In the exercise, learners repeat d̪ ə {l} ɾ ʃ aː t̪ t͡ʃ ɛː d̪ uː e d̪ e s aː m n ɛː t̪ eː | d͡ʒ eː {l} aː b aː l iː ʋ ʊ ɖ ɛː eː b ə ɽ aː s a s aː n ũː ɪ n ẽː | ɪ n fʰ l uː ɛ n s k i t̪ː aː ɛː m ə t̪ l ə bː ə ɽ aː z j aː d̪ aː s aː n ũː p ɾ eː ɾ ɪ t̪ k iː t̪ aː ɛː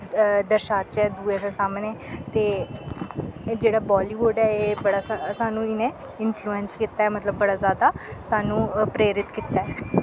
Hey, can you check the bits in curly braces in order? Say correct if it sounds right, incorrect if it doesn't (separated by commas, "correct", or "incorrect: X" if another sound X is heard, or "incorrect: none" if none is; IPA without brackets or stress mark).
incorrect: none, incorrect: ɽ